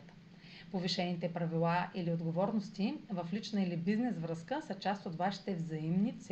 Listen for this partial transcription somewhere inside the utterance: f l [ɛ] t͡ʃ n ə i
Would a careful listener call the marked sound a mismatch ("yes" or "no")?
yes